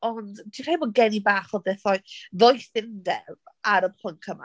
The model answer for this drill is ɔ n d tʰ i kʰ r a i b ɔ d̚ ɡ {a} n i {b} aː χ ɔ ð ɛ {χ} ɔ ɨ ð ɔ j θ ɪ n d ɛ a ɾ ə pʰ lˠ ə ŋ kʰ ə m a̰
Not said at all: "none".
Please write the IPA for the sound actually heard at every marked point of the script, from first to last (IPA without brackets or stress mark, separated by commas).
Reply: ɛ, b, θ